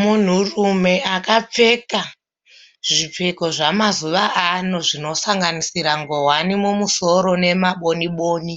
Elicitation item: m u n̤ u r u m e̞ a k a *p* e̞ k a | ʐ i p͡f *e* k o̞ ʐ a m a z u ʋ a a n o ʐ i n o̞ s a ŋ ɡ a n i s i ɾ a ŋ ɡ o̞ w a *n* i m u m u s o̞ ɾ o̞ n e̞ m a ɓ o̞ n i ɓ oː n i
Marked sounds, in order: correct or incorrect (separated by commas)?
incorrect, correct, correct